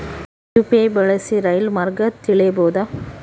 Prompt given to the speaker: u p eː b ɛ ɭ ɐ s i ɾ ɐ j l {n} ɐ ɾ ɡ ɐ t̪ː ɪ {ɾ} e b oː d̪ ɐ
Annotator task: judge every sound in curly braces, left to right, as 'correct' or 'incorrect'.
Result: incorrect, incorrect

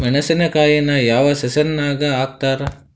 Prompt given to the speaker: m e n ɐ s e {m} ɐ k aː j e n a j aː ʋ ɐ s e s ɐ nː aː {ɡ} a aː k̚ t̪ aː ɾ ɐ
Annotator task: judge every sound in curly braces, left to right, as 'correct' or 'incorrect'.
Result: incorrect, correct

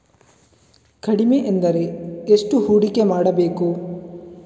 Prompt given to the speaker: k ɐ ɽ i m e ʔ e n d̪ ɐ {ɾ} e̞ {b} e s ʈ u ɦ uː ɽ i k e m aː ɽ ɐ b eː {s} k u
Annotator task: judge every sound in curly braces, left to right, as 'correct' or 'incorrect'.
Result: correct, incorrect, incorrect

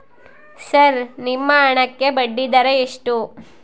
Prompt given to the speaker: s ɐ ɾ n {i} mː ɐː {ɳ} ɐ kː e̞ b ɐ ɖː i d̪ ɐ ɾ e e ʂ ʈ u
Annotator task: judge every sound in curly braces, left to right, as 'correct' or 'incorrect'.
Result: correct, correct

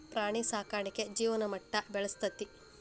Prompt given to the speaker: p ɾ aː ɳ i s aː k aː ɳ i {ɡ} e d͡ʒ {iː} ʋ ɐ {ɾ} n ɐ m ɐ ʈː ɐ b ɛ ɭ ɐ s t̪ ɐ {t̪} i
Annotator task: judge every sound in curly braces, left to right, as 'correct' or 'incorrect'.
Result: incorrect, correct, incorrect, correct

